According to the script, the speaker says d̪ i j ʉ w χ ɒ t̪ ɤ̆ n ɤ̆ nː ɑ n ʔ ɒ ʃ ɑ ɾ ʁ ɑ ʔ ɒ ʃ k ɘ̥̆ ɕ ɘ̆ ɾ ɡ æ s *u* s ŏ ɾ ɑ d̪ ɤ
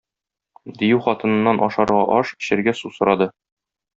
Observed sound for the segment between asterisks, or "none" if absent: u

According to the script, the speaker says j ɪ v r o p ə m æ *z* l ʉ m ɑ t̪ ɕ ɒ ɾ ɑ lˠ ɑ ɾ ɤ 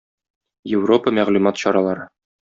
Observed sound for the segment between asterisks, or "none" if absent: ʁ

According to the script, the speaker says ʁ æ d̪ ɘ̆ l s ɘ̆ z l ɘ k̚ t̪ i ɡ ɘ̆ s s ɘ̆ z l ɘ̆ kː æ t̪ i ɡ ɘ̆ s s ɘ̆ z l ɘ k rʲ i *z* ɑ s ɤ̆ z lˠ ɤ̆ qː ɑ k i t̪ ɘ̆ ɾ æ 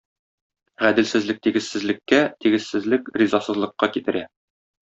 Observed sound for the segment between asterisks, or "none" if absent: z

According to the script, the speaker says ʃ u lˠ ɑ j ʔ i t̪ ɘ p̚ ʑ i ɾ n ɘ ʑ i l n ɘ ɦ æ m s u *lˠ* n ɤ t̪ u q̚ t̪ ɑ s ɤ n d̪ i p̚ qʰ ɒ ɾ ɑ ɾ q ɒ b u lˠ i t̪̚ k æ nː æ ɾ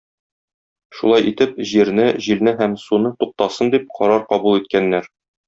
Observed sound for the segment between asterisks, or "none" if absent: none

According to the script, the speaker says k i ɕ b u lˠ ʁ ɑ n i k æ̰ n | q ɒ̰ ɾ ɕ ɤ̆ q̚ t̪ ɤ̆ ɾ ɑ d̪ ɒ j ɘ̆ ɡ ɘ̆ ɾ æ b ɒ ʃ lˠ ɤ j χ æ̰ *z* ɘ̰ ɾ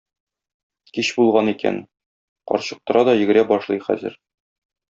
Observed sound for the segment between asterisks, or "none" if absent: z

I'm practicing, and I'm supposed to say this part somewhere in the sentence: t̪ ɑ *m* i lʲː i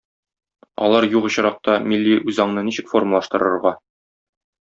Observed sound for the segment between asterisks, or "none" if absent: m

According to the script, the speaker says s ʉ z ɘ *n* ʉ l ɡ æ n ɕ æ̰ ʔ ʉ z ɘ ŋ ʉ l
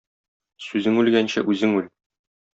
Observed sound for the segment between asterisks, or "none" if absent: ŋ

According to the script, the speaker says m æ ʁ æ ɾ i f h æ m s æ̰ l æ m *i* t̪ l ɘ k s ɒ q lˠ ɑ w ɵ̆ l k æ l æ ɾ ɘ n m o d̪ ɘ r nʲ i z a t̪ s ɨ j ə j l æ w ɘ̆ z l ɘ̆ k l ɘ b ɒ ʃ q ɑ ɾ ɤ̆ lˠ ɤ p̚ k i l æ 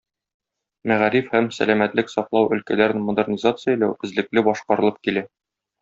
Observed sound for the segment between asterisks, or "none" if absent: æ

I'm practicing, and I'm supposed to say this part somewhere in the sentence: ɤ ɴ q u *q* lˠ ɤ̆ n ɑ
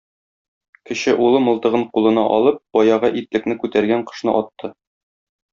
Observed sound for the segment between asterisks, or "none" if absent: none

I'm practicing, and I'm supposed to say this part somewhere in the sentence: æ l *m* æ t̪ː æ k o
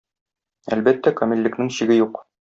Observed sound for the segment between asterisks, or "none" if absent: b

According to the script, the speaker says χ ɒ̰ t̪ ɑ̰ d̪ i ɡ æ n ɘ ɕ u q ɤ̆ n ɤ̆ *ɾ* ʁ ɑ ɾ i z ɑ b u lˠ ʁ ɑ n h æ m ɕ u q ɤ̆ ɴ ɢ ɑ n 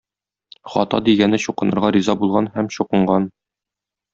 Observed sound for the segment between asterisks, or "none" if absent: ɾ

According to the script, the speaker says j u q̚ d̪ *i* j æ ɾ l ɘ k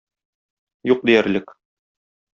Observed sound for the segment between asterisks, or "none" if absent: i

